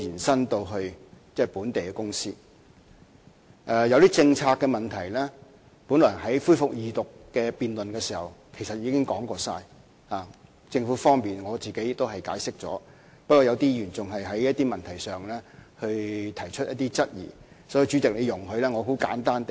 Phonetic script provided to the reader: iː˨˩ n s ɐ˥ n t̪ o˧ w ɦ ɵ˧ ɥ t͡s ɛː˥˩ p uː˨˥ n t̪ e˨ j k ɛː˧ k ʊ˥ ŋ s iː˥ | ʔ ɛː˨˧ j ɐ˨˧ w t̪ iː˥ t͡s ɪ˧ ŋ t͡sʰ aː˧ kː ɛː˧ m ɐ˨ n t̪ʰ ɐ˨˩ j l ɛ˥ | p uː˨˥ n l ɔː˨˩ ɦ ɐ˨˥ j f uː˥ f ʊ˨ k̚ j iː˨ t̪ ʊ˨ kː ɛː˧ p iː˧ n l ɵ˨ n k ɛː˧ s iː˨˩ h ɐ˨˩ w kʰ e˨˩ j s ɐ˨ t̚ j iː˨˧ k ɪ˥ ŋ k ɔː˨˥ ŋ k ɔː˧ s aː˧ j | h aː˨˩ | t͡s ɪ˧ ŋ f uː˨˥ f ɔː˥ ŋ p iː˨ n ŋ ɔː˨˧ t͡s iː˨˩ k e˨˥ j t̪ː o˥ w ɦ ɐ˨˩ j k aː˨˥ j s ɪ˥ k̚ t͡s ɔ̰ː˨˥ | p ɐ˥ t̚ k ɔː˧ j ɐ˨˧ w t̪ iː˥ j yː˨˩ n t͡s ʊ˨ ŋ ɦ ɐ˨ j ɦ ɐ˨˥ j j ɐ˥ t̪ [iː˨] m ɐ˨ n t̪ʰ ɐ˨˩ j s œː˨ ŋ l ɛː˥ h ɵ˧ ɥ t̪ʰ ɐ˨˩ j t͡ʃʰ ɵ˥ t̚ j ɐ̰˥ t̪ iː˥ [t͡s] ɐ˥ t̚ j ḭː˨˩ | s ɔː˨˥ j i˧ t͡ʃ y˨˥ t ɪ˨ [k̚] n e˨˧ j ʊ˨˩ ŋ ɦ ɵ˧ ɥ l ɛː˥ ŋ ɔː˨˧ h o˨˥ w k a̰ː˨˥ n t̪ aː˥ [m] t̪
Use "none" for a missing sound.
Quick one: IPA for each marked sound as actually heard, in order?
iː˥, t͡s, k̚, n

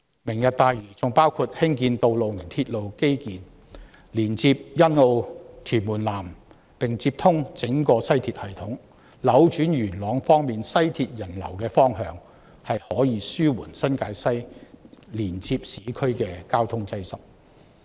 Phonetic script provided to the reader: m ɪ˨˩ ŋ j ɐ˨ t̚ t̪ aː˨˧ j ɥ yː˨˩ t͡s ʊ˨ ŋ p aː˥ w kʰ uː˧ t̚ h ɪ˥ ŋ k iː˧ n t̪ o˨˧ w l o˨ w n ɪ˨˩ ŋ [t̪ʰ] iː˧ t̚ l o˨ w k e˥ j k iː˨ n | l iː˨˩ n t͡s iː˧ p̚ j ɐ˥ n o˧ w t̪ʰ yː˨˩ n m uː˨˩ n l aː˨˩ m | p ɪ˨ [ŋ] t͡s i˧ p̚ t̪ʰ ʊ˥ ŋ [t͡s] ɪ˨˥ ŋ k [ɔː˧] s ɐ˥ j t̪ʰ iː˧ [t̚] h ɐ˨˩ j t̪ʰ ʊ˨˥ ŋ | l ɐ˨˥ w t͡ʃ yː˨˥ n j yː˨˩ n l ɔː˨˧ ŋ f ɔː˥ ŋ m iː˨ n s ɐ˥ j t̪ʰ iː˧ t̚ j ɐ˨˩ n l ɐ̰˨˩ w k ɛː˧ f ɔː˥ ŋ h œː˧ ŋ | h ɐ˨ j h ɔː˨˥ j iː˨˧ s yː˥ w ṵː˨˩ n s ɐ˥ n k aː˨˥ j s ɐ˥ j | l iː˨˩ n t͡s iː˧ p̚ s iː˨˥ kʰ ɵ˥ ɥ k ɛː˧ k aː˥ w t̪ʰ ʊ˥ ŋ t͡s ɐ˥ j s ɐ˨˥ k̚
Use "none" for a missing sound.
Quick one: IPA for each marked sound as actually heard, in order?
t̪ʰ, ŋ, t͡s, ɔː˧, t̚

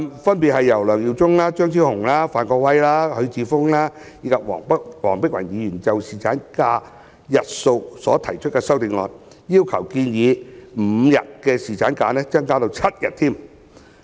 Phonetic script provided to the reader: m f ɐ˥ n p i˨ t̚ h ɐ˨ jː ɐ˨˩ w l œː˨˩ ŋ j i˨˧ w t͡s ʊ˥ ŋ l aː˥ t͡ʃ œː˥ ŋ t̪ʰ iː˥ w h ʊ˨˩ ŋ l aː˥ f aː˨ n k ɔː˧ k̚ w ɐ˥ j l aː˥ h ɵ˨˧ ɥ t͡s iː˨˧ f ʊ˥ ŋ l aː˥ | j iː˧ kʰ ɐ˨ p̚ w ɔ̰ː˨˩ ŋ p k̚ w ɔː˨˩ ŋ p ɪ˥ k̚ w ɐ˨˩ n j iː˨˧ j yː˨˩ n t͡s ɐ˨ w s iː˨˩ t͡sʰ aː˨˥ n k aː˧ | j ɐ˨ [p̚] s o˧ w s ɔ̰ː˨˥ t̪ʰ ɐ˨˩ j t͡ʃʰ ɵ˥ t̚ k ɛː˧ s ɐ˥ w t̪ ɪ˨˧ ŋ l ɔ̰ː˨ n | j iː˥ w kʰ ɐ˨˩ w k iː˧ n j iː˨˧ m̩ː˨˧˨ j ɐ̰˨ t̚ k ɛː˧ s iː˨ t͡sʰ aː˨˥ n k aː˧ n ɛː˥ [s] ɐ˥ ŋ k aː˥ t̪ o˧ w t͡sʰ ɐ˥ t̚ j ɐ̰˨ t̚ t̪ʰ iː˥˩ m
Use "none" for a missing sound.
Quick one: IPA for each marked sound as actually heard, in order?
t̚, t͡s

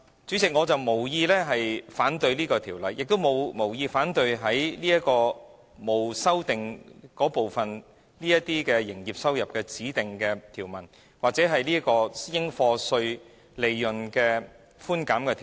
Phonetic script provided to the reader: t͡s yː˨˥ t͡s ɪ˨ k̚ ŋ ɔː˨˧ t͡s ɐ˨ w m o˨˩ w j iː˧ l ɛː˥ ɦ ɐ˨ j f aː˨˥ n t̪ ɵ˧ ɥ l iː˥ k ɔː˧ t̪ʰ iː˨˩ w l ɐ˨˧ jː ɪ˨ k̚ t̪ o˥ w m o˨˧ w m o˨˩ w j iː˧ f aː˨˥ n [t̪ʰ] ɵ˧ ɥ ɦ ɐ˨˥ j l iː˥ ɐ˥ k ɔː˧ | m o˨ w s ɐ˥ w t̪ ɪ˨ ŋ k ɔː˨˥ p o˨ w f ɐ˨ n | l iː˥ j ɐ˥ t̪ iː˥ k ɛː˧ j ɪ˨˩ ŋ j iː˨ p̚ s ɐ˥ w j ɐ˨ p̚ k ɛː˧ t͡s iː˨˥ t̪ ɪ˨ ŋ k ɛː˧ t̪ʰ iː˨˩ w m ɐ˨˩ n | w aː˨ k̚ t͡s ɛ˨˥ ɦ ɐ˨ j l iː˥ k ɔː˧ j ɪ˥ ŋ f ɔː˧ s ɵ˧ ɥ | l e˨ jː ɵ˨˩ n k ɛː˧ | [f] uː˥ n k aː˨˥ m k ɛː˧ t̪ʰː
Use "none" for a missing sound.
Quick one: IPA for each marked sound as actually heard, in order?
t̪, f

